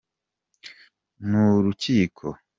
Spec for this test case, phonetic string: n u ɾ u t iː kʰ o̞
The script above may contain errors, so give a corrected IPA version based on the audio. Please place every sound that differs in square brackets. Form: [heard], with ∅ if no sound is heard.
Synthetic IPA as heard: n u ɾ u [c] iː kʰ o̞